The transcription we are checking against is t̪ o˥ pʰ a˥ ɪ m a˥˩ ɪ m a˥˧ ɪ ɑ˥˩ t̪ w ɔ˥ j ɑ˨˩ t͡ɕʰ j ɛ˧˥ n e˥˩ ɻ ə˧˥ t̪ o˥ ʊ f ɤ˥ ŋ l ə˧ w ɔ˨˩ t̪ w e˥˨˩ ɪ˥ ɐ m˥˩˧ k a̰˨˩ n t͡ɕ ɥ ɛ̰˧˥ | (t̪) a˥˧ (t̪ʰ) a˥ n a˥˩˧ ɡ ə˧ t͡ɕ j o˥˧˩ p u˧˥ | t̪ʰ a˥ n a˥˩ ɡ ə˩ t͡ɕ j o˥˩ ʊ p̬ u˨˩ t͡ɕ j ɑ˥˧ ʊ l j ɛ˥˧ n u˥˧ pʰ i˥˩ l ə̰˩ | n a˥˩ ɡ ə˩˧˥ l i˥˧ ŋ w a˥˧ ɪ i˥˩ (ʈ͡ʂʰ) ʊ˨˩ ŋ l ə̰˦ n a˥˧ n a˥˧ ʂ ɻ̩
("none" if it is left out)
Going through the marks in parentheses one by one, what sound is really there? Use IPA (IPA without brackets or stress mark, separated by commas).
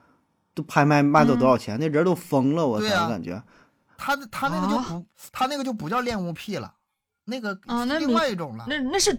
t̪ʰ, t̪ʰ, ʈ͡ʂ